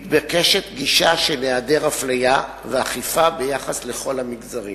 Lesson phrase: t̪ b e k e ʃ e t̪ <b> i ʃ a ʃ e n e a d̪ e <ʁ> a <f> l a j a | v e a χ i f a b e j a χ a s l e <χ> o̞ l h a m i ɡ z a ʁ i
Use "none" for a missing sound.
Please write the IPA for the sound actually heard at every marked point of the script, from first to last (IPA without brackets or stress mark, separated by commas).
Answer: ɡ, ʁ, f, χ